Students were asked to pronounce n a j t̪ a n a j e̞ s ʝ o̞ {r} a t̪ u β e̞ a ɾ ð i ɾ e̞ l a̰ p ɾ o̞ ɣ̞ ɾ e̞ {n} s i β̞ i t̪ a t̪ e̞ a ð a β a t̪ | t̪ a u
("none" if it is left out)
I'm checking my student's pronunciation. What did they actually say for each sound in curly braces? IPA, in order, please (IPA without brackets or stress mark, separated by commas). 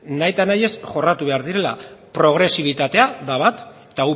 r, none